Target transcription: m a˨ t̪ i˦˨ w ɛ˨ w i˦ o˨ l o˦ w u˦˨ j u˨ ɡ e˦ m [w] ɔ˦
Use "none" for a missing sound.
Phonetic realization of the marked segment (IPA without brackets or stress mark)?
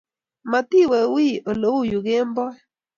b